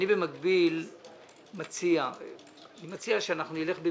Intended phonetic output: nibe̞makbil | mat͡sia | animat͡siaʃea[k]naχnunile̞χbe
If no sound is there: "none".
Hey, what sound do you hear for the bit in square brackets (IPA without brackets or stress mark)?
none